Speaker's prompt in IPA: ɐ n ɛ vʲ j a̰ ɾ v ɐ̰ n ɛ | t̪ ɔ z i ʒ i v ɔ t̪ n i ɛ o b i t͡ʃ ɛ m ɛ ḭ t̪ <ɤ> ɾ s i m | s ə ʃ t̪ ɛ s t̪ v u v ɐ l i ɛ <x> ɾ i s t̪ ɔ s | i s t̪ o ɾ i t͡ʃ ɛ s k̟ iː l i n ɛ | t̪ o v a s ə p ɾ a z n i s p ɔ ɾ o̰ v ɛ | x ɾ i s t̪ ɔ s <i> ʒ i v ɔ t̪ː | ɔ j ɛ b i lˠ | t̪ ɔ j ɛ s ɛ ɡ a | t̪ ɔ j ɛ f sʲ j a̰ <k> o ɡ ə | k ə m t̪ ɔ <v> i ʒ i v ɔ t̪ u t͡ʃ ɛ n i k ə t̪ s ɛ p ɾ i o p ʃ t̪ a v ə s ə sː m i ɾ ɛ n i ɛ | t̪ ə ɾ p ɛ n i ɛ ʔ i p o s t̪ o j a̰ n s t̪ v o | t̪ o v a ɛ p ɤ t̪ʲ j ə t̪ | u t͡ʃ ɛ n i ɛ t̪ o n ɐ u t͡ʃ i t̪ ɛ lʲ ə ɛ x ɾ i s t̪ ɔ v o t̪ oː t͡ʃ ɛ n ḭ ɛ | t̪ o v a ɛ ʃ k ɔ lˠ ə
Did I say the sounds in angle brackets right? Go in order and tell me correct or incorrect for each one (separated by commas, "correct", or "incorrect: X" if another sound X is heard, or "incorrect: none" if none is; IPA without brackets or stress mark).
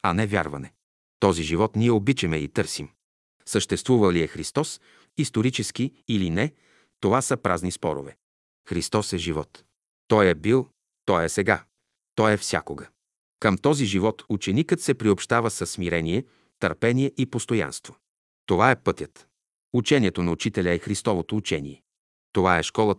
correct, correct, incorrect: ɛ, correct, incorrect: z